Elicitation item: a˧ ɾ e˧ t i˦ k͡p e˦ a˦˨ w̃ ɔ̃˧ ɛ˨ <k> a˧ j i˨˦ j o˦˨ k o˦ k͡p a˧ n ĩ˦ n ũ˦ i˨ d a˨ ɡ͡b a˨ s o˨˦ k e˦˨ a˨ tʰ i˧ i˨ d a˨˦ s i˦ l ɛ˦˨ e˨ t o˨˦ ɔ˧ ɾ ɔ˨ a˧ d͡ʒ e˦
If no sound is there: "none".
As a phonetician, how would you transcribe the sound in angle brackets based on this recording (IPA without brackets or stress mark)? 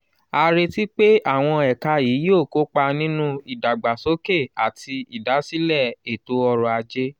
k